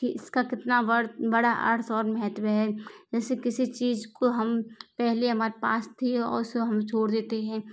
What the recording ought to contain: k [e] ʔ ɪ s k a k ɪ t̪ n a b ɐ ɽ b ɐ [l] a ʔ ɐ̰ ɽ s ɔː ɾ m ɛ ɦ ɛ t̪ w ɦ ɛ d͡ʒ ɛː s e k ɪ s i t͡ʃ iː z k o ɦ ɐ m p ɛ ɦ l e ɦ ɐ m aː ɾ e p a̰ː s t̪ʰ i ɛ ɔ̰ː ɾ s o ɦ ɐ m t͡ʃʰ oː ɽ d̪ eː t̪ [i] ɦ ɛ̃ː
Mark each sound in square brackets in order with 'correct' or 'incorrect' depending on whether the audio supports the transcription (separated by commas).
incorrect, incorrect, incorrect